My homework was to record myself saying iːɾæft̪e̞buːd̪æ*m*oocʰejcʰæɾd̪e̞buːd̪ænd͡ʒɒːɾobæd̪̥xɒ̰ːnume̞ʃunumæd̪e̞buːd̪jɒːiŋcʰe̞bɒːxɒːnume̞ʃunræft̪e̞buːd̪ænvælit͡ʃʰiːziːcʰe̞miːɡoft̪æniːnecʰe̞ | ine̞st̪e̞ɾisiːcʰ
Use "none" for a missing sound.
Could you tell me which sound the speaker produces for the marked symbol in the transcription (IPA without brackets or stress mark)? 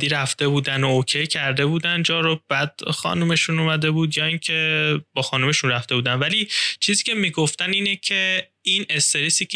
n